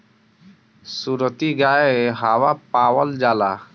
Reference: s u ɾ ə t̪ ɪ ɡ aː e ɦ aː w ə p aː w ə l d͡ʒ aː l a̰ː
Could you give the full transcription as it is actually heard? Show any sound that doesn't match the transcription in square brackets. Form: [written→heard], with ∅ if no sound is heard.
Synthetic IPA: s u ɾ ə t̪ [ɪ→i] ɡ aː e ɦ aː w [ə→a] p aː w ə l d͡ʒ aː l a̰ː